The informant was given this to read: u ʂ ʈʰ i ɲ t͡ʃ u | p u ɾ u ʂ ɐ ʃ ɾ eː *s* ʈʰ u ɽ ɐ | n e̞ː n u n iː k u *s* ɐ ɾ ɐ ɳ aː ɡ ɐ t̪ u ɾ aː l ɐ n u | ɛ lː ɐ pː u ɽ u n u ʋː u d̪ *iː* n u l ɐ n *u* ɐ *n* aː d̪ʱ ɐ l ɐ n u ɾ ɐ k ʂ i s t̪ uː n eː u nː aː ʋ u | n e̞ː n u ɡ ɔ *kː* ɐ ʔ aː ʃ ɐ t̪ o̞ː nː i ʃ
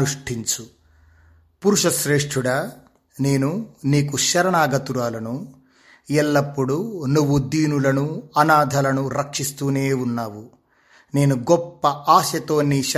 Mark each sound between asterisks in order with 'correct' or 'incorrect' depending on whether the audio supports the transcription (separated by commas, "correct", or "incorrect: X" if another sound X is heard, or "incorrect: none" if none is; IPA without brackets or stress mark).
incorrect: ʂ, incorrect: ʃ, correct, correct, correct, incorrect: pː